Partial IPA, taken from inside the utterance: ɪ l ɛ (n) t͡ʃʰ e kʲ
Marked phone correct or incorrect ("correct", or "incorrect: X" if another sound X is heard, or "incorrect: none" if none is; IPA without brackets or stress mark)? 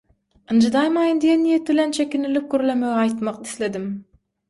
correct